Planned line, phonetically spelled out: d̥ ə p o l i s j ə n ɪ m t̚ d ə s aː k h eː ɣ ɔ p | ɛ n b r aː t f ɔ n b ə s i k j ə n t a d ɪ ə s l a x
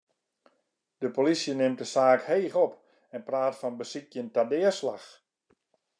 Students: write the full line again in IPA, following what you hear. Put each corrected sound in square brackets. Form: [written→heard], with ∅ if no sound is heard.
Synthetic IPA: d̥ ə p o l i s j ə n ɪ m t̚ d ə s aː k h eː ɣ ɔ p | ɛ n [b→p] r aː t f ɔ n b ə s i k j ə n t a d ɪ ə s l a x